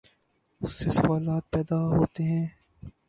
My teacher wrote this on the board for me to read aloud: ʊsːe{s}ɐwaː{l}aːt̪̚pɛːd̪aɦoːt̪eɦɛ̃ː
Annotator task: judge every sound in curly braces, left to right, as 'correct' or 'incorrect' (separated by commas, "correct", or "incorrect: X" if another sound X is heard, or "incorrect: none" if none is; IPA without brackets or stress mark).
correct, correct